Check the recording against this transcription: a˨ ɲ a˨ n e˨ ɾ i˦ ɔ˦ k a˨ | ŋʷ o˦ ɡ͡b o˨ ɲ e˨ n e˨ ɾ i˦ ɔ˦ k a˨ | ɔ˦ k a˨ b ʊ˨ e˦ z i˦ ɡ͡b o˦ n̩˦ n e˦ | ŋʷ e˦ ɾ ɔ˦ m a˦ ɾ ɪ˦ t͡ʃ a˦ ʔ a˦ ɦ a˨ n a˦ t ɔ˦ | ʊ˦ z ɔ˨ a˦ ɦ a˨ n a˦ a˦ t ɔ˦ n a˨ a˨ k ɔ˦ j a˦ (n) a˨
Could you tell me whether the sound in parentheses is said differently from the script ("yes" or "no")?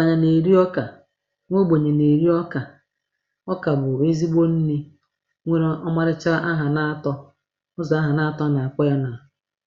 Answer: no